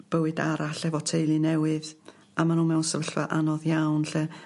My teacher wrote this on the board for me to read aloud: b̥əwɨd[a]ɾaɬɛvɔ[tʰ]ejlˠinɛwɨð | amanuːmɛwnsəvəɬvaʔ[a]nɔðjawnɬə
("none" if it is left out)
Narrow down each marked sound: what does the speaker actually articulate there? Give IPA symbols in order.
a, tʰ, a

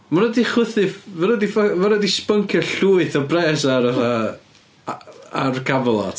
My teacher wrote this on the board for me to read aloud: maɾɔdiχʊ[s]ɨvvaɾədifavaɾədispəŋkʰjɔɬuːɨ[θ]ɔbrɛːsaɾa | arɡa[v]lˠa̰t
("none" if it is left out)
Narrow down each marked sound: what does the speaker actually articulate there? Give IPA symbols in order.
θ, θ, v

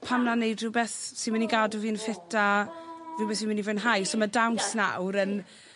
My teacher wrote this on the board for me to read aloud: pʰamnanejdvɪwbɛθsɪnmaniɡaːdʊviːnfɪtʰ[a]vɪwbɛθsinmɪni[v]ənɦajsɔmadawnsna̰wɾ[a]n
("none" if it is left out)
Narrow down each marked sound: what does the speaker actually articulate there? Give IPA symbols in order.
a, v, ə

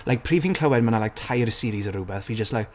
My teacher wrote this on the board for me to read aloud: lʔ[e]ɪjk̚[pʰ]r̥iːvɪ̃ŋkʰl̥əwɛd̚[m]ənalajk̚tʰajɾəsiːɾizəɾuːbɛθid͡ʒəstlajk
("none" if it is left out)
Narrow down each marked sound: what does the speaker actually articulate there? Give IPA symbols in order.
a, pʰ, m

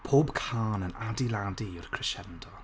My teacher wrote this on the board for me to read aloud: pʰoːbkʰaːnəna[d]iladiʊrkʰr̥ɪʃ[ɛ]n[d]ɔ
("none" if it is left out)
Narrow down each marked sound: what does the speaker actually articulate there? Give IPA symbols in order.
d, ɛ, d

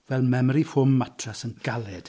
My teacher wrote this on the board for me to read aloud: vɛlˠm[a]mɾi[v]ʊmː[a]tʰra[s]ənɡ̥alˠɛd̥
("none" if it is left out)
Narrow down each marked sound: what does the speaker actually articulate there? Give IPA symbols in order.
ɛ, f, a, s

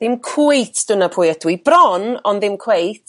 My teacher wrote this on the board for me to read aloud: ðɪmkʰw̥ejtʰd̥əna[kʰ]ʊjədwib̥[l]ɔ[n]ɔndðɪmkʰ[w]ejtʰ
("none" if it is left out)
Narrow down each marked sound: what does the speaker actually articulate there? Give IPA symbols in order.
pʰ, r, n, w

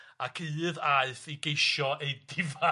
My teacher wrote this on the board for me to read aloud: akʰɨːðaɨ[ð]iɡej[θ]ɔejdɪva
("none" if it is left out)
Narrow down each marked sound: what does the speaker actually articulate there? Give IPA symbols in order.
θ, ʃ

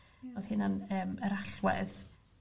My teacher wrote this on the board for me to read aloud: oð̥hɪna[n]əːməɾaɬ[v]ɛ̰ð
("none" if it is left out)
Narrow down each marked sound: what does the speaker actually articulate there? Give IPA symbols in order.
n, w

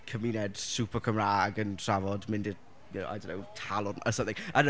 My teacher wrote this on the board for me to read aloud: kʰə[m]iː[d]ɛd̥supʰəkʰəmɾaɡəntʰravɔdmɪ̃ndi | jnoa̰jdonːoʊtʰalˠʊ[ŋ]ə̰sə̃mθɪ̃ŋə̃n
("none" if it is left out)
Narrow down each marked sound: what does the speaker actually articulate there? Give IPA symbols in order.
m, n, n

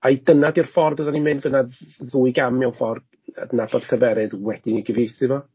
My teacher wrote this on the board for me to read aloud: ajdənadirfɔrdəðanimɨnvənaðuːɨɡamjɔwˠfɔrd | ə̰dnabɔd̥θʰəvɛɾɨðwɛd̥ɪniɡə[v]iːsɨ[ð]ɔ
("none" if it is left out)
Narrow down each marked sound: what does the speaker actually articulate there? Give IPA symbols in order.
v, v

